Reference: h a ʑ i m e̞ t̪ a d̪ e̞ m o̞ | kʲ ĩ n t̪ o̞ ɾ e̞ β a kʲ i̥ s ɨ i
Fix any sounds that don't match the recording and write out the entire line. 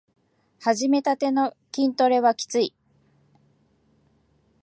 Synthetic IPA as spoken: h a ʑ i m e̞ t̪ a t̪ e̞ n o̞ | kʲ ĩ n t̪ o̞ ɾ e̞ β a kʲ i̥ t͡s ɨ i